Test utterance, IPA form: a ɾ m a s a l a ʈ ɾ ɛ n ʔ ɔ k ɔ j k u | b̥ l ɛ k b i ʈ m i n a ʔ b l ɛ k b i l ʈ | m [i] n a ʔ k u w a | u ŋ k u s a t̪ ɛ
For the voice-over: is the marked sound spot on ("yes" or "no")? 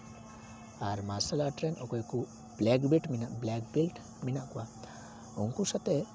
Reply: yes